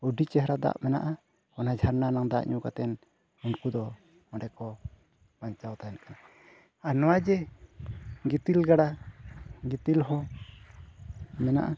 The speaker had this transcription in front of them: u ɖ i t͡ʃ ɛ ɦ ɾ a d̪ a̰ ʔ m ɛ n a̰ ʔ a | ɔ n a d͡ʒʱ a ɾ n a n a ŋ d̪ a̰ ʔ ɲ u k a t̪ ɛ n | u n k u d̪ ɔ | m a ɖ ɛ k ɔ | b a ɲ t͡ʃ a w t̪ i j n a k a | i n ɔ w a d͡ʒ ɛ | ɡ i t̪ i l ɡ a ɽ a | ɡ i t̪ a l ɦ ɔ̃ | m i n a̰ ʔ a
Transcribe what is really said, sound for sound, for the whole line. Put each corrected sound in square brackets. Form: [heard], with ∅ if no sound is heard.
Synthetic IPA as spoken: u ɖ i t͡ʃ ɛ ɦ ɾ a d̪ a̰ ʔ m ɛ n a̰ ʔ a | ɔ n a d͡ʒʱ a ɾ n a n a ŋ d̪ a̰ ʔ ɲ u k a t̪ ɛ n | u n k u d̪ ɔ | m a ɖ ɛ k ɔ | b a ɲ t͡ʃ a w t̪ [a] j n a k a | [a] n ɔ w a d͡ʒ ɛ | ɡ i t̪ i l ɡ a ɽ a | ɡ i t̪ [i] l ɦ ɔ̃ | m [ɛ] n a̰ ʔ a